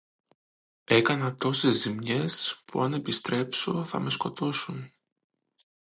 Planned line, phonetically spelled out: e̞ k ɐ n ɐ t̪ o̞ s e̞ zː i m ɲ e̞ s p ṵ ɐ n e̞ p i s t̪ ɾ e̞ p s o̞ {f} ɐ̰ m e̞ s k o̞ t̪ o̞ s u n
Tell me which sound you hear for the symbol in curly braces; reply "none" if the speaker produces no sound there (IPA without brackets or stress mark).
θ